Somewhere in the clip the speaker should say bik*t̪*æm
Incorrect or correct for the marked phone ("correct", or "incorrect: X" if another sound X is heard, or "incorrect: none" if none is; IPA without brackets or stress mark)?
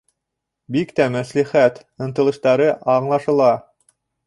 correct